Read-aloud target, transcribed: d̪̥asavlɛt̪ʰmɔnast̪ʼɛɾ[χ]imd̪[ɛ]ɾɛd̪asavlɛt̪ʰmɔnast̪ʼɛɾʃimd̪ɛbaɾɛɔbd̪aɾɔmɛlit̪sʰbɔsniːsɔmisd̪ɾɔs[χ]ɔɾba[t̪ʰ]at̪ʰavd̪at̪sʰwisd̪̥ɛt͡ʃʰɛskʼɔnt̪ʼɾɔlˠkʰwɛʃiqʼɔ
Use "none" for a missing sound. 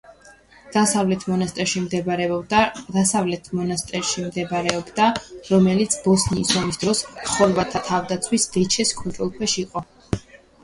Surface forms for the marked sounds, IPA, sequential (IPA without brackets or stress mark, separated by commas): ʃ, ɛ, χ, t̪ʰ